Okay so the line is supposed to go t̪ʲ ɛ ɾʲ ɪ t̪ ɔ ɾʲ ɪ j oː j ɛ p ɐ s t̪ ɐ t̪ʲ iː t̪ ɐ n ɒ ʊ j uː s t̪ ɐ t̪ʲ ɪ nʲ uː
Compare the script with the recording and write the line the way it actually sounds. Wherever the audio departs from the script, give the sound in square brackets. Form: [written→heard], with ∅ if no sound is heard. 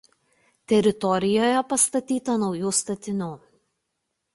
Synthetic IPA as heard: t̪ʲ ɛ ɾʲ ɪ t̪ ɔ ɾʲ ɪ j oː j ɛ p ɐ s t̪ ɐ t̪ʲ iː t̪ ɐ n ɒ ʊ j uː s t̪ ɐ t̪ʲ ɪ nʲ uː